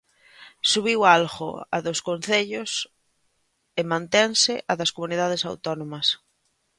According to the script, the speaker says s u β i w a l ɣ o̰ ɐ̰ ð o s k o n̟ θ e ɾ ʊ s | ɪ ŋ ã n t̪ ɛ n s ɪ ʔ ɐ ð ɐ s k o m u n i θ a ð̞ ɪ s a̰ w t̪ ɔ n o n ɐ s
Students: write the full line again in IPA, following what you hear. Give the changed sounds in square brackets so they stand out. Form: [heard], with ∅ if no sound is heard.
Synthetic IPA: s u β i w a l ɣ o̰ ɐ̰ ð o s k o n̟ θ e [ʎ] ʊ s | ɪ [m] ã n t̪ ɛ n s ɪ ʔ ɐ ð ɐ s k o m u n i [ð] a ð̞ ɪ s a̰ w t̪ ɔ n o [m] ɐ s